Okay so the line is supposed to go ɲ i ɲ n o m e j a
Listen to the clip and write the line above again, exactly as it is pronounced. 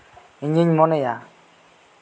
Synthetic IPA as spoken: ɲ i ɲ m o n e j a